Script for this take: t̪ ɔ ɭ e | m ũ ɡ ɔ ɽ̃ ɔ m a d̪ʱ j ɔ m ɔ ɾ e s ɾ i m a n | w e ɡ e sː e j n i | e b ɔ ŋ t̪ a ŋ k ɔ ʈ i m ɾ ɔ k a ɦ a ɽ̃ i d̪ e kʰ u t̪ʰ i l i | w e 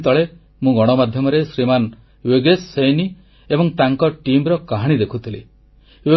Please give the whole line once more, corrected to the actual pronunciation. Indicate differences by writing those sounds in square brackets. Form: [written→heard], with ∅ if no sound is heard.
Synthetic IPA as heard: t̪ ɔ ɭ e | m ũ ɡ ɔ ɽ̃ ɔ m a d̪ʱ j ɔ m ɔ ɾ e s ɾ i m a n | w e ɡ e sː e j n i | e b ɔ ŋ t̪ a ŋ k ɔ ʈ i m ɾ ɔ k a ɦ a ɽ̃ i d̪ e kʰ u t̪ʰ i l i | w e